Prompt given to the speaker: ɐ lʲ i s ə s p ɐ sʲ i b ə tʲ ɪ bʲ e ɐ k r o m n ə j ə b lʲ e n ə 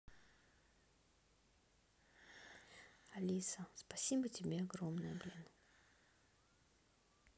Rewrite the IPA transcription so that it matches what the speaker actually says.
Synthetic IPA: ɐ lʲ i s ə s p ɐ sʲ i b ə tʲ ɪ bʲ e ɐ ɡ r o m n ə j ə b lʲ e n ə